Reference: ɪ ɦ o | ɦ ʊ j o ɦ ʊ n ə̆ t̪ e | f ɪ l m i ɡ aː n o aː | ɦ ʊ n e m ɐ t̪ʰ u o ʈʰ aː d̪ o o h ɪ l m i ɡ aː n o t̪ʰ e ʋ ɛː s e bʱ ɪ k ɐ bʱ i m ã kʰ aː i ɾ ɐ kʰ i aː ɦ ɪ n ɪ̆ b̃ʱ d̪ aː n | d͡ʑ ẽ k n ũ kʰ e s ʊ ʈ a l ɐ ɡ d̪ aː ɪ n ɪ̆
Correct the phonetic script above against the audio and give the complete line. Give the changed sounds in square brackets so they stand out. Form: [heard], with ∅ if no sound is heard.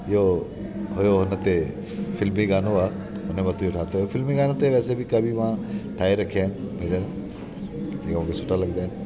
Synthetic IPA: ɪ ɦ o | ɦ ʊ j o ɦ ʊ n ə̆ t̪ e | f ɪ l m i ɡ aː n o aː | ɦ ʊ n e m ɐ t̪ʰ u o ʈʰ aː [t̪] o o [f] ɪ l m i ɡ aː n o [t̪] e ʋ ɛː s e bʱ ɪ k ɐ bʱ i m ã [ʈʰ] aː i ɾ ɐ kʰ i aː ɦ ɪ n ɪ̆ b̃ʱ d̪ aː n | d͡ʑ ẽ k [m] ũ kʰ e s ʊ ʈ a l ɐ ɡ d̪ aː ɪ n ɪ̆

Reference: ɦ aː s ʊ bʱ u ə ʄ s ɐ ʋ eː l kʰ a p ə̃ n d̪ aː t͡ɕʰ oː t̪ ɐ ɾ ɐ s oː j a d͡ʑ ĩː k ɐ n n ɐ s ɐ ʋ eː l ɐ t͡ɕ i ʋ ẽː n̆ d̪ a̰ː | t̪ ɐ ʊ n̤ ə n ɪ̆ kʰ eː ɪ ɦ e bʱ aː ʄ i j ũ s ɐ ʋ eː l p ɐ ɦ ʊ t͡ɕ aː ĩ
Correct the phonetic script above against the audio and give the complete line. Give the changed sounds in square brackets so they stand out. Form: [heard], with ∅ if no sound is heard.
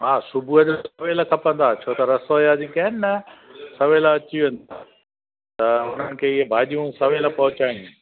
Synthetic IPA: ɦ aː s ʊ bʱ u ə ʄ s ɐ ʋ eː l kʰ [ɐ] p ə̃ n d̪ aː t͡ɕʰ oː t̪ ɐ ɾ ɐ s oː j a d͡ʑ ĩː k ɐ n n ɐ s ɐ ʋ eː l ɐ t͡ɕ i ʋ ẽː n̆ d̪ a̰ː | t̪ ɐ ʊ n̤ ə n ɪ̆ kʰ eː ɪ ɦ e bʱ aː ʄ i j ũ s ɐ ʋ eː l p ɐ ɦ ʊ t͡ɕ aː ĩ

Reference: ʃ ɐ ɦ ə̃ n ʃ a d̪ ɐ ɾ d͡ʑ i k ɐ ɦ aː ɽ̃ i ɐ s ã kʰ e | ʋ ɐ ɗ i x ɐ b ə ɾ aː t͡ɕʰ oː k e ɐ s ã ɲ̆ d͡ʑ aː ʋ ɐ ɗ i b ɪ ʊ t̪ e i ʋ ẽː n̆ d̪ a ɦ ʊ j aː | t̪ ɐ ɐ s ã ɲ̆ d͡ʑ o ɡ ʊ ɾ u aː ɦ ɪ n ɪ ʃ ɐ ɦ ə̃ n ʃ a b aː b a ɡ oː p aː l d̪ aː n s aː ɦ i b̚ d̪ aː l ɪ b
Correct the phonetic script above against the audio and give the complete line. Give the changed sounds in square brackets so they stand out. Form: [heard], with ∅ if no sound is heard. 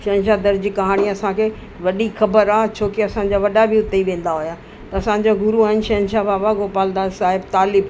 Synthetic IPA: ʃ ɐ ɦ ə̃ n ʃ a d̪ ɐ ɾ d͡ʑ i k ɐ ɦ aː ɽ̃ i ɐ s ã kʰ e | ʋ ɐ ɗ i x ɐ b ə ɾ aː t͡ɕʰ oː k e ɐ s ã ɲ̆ d͡ʑ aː ʋ ɐ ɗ [a] b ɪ ʊ t̪ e i ʋ ẽː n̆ d̪ a ɦ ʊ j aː | t̪ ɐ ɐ s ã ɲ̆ d͡ʑ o ɡ ʊ ɾ u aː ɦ ɪ n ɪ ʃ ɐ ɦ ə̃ n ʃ a b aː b a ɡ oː p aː l d̪ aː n s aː ɦ [ɪ] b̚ [t̪] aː l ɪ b

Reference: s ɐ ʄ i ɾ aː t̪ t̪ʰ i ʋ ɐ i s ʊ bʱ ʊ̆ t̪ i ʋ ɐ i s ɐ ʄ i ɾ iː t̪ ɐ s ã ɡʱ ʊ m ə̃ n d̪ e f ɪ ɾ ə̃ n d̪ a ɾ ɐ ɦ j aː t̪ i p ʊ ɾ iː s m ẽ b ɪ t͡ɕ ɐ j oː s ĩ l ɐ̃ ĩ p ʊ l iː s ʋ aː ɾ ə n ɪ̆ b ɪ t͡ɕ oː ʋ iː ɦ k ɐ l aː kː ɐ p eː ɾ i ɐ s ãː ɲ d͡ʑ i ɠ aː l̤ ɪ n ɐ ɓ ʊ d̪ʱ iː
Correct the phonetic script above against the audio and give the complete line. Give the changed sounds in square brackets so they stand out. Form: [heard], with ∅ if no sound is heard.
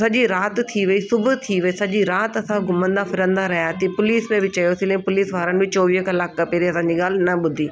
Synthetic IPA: s ɐ ʄ i ɾ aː t̪ t̪ʰ i ʋ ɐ i s ʊ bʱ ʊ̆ [t̪ʰ] i ʋ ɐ i s ɐ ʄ i ɾ [aː] t̪ ɐ s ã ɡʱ ʊ m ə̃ n d̪ [a] f ɪ ɾ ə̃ n d̪ a ɾ ɐ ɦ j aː t̪ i p ʊ [l] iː s m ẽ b ɪ t͡ɕ ɐ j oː s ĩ l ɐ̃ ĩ p ʊ l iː s ʋ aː ɾ ə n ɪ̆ b ɪ t͡ɕ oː ʋ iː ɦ k ɐ l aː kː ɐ p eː ɾ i ɐ s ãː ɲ d͡ʑ i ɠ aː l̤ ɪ n ɐ ɓ ʊ d̪ʱ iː

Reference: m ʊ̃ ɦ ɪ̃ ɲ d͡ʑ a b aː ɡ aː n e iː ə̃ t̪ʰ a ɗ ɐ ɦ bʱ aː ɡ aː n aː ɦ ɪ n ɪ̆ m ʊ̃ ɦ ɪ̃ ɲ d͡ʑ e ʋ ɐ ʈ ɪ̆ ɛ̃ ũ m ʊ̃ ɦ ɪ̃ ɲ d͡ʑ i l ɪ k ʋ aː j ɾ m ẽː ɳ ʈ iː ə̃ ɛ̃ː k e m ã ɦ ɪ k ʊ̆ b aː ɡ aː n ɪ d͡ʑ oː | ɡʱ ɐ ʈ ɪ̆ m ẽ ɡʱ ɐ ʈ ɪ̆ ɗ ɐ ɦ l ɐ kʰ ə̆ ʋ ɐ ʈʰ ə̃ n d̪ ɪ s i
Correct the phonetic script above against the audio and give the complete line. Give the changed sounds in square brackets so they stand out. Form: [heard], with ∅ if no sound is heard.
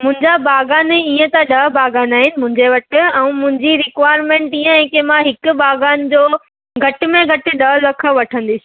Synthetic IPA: m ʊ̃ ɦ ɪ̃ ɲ d͡ʑ a b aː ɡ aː n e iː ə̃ [t̪] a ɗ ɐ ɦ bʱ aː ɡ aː n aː ɦ ɪ n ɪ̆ m ʊ̃ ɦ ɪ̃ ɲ d͡ʑ e ʋ ɐ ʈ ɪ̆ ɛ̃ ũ m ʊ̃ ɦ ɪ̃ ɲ d͡ʑ i [ɾ] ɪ k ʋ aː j ɾ m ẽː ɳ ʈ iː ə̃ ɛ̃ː k e m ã ɦ ɪ k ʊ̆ b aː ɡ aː n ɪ d͡ʑ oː | ɡʱ ɐ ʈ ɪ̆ m ẽ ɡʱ ɐ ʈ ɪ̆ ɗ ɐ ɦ l ɐ kʰ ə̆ ʋ ɐ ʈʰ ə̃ n d̪ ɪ s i

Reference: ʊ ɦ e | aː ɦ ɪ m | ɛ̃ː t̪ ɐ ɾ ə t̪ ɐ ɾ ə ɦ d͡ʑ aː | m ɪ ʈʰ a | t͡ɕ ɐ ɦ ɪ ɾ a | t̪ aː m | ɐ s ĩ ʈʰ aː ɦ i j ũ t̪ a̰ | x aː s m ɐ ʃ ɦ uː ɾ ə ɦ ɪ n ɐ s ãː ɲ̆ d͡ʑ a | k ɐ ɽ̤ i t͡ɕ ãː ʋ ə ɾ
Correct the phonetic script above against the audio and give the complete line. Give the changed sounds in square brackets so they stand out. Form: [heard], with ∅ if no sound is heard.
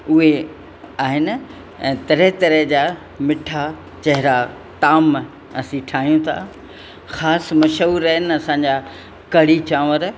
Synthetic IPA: ʊ ɦ e | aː ɦ ɪ [n] | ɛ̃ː t̪ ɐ ɾ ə t̪ ɐ ɾ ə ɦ d͡ʑ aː | m ɪ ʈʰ a | t͡ɕ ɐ ɦ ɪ ɾ a | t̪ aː m | ɐ s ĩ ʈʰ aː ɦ i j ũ [t̪ʰ] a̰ | x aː s m ɐ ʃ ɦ uː ɾ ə ɦ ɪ n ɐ s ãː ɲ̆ d͡ʑ a | k ɐ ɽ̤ i t͡ɕ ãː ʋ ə ɾ

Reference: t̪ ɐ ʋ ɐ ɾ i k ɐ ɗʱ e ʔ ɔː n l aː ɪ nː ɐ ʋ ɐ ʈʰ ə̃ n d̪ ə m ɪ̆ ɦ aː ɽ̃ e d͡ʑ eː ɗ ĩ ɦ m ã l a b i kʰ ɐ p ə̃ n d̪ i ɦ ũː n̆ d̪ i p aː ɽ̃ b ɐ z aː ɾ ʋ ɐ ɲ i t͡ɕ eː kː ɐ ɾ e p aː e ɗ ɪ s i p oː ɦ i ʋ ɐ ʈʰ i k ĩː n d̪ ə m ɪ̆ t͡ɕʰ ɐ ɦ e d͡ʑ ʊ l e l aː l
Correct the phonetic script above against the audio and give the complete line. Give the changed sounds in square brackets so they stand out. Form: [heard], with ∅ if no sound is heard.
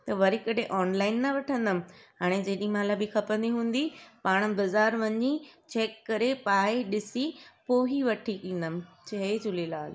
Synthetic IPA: t̪ ɐ ʋ ɐ ɾ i k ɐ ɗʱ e ʔ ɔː n l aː ɪ nː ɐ ʋ ɐ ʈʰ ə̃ n d̪ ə m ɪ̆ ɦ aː ɽ̃ e d͡ʑ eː ɗ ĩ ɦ m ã l a b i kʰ ɐ p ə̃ n d̪ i ɦ ũː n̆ d̪ i p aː ɽ̃ b ɐ z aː ɾ ʋ ɐ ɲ i t͡ɕ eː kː ɐ ɾ e p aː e ɗ ɪ s i p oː ɦ i ʋ ɐ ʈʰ i k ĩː n d̪ ə m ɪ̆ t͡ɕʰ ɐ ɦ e d͡ʑ ʊ l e l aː l

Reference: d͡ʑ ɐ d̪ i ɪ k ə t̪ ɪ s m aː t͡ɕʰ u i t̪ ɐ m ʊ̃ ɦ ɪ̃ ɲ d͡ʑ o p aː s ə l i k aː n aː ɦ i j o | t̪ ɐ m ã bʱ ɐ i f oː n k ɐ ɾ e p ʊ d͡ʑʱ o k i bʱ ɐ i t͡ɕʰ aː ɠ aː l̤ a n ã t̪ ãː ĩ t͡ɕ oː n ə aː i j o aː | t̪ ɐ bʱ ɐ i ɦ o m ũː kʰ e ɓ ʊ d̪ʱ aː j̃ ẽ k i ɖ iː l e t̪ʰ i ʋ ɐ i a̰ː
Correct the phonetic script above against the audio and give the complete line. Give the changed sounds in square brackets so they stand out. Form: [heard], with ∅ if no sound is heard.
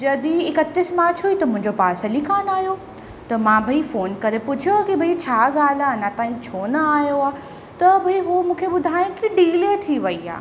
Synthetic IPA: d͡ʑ ɐ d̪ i ɪ k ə t̪ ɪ s m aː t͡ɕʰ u i t̪ ɐ m ʊ̃ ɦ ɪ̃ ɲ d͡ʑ o p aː s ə l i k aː n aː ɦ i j o | t̪ ɐ m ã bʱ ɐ i f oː n k ɐ ɾ e p ʊ d͡ʑʱ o k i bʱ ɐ i t͡ɕʰ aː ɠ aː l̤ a n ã t̪ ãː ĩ [t͡ɕʰ] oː n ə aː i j o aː | t̪ ɐ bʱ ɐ i ɦ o m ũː kʰ e ɓ ʊ d̪ʱ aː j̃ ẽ k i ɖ iː l e t̪ʰ i ʋ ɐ i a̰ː

